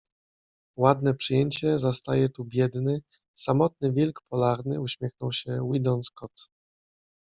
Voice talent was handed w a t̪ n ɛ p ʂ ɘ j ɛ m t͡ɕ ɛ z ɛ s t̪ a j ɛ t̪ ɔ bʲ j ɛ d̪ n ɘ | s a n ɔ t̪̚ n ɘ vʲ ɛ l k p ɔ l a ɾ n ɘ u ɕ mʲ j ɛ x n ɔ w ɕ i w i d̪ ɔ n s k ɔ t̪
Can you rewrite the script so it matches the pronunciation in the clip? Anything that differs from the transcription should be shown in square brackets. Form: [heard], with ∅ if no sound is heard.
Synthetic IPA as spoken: w a [d̪] n ɛ p ʂ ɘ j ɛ [ɲ] t͡ɕ ɛ z [a] s t̪ a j ɛ t̪ [u] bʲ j ɛ d̪ n ɘ | s a [m] ɔ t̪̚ n ɘ vʲ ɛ l k p ɔ l a ɾ n ɘ u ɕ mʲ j ɛ x n ɔ w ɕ [ɛ] w i d̪ ɔ n s k ɔ t̪